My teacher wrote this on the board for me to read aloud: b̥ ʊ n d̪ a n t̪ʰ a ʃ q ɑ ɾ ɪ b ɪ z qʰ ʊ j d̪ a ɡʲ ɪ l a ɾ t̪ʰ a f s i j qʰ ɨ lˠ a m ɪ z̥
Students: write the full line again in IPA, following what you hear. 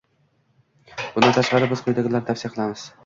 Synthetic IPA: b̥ ʊ n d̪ a n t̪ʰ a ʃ q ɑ ɾ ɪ b ɪ z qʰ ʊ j d̪ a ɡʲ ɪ l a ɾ t̪ʰ a f s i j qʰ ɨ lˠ a m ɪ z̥